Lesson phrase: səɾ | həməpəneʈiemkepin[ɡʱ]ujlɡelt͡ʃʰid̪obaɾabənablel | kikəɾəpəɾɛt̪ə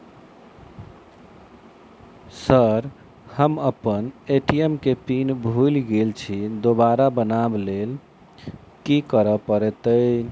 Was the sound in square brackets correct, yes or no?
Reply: no